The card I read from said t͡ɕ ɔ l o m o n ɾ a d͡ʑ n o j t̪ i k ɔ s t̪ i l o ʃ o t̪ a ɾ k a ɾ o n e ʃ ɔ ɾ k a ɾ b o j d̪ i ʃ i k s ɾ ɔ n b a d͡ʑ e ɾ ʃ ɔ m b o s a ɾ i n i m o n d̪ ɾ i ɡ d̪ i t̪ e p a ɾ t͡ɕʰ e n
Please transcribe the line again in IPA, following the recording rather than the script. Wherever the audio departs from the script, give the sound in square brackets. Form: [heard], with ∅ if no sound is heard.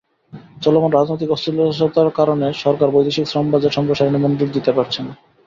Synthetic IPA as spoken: t͡ɕ ɔ l o m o n ɾ a d͡ʑ n o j t̪ i k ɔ s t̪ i l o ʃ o t̪ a ɾ k a ɾ o n e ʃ ɔ ɾ k a ɾ b o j d̪ i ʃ i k s ɾ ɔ [m] b a d͡ʑ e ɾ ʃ ɔ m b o [ʃ] a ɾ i n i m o n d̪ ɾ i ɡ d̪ i t̪ e p a ɾ t͡ɕʰ e n

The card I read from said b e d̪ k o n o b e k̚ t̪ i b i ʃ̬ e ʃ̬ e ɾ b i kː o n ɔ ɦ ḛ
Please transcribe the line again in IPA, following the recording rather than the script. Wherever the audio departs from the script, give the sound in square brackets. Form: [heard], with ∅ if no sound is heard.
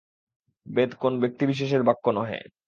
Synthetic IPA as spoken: b e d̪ k o n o b e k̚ t̪ i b i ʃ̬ e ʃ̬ e ɾ b [a] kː o n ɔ ɦ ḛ

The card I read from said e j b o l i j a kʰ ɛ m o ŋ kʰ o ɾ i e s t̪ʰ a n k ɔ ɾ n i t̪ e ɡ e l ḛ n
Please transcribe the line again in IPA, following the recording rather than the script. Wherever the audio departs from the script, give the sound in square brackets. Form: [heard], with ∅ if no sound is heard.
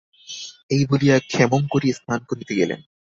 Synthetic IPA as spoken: e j b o l i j a kʰ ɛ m o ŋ [k] o ɾ i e s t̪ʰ a n k [o] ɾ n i t̪ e ɡ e l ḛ n

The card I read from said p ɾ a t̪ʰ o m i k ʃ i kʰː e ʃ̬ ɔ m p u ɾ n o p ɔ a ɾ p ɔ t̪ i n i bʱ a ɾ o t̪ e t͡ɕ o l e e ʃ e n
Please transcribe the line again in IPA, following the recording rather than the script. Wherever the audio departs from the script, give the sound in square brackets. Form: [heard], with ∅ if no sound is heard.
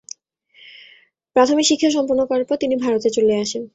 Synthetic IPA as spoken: p ɾ a t̪ʰ o m i k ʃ i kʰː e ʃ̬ ɔ m p u ɾ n o [k] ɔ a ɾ p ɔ t̪ i n i bʱ a ɾ o t̪ e t͡ɕ o l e [a] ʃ e n

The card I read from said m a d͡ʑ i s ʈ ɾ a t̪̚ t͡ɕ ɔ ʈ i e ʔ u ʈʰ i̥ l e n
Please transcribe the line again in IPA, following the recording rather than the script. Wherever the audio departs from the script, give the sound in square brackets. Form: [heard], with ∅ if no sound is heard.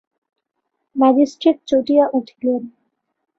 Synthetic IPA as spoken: m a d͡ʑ i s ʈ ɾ [i] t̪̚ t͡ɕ [o] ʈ i [a] ʔ u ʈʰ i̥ l e n

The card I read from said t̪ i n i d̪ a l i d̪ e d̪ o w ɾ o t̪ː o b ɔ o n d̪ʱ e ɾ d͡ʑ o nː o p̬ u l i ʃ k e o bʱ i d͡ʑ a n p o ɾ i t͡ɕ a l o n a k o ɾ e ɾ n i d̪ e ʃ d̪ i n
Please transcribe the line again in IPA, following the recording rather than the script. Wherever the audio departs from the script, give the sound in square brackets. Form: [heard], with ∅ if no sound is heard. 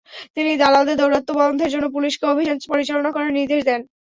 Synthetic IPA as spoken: t̪ i n i d̪ a l [a] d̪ e d̪ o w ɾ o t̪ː o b ɔ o n d̪ʱ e ɾ d͡ʑ o nː o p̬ u l i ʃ k e o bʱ i d͡ʑ a n p o ɾ i t͡ɕ a l o n a k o ɾ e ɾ n i d̪ e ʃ d̪ [ɛ] n

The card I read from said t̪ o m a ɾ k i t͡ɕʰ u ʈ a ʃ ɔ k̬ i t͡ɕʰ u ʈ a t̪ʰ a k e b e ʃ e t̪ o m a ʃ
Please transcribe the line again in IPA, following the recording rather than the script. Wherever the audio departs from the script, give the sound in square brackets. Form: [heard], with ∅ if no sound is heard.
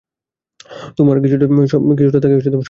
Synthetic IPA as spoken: t̪ o m a ɾ k i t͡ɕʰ u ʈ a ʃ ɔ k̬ i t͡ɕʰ u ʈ a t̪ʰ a k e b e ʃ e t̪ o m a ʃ

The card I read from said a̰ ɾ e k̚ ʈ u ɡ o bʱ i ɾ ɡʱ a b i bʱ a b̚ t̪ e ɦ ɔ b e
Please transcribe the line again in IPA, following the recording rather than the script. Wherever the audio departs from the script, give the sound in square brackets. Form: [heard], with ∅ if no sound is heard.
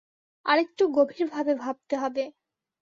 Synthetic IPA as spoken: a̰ ɾ e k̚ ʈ u ɡ o bʱ i ɾ [bʱ] a b [e] bʱ a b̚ t̪ e ɦ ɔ b e

